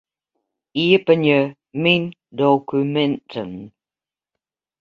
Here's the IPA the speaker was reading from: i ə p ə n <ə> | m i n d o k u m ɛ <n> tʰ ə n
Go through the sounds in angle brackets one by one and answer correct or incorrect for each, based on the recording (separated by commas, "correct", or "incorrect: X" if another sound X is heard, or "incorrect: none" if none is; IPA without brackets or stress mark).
correct, correct